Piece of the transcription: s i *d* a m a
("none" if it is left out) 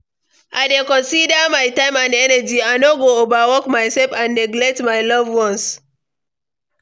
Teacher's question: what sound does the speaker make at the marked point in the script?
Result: d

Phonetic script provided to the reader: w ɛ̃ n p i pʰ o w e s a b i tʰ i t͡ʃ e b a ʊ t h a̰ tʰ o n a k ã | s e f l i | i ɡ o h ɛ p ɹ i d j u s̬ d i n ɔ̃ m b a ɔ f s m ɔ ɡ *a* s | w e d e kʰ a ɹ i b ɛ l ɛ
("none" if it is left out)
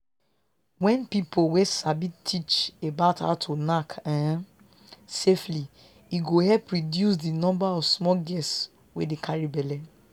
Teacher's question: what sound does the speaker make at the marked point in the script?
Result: ɛ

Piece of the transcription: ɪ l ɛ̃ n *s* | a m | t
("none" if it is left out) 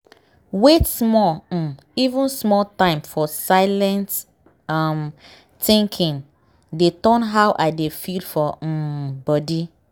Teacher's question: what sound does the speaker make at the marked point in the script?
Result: t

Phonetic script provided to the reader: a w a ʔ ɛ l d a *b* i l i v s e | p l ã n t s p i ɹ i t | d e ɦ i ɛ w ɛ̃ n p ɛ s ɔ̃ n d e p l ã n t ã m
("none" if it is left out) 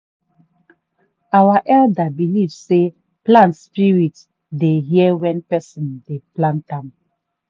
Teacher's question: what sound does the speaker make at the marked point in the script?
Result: b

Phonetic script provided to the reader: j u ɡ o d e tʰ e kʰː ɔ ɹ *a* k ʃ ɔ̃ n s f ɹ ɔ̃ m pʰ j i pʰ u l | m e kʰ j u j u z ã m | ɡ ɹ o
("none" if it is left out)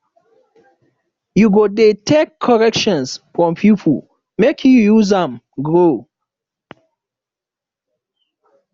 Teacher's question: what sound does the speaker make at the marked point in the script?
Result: ɛ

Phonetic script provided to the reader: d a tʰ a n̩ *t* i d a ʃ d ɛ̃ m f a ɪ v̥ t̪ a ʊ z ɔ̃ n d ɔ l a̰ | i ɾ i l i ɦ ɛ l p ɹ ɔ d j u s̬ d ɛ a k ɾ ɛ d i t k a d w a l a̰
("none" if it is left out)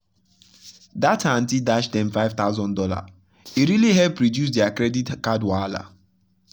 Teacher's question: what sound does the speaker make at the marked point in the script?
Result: t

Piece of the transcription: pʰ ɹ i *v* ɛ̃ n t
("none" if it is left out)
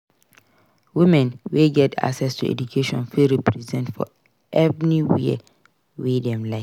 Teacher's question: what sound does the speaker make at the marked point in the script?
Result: z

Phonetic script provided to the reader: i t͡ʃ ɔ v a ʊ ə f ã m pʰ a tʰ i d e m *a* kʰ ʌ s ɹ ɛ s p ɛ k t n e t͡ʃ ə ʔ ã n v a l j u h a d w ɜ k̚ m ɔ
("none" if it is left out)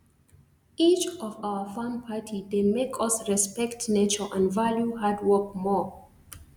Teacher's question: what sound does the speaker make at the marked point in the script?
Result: e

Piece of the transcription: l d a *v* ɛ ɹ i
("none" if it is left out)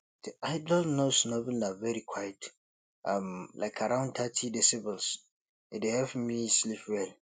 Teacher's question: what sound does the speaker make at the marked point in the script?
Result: v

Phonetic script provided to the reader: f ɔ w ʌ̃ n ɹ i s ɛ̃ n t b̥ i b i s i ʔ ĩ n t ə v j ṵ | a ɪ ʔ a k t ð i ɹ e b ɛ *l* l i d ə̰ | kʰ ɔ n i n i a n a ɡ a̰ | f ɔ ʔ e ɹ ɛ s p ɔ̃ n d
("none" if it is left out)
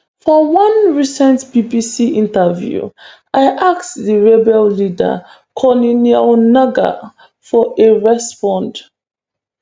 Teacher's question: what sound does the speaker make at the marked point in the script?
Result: l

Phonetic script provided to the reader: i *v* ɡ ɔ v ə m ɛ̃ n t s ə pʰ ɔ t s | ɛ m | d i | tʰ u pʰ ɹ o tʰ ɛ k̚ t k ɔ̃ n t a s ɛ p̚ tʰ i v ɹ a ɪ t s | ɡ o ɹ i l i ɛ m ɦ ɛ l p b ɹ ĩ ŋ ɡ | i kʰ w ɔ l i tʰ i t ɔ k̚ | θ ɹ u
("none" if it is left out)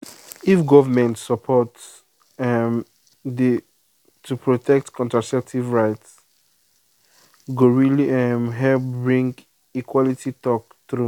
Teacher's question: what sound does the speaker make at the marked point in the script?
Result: f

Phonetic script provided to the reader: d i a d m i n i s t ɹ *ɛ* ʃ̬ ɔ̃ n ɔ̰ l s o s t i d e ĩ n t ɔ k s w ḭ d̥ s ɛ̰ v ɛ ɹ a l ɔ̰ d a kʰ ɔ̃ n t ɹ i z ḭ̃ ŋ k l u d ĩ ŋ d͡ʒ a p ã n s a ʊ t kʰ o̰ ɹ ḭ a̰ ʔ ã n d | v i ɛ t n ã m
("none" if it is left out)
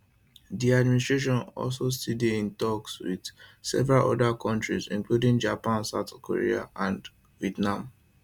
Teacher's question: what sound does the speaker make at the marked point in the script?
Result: e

